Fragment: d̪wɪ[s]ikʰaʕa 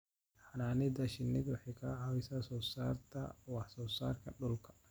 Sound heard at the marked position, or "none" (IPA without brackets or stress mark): ħ